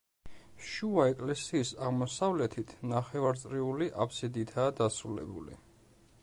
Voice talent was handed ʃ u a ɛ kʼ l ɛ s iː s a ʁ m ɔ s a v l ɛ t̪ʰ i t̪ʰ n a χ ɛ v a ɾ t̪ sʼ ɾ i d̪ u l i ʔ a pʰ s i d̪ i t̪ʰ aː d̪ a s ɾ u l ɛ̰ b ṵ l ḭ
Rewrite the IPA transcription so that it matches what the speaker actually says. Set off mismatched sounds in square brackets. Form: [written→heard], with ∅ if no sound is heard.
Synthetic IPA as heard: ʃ u a ɛ kʼ l ɛ s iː s a ʁ m ɔ s a v l ɛ t̪ʰ i t̪ʰ n a χ ɛ v a ɾ t̪ sʼ ɾ i [d̪→∅] u l i ʔ a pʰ s i d̪ i t̪ʰ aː d̪ a s ɾ u l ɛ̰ b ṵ l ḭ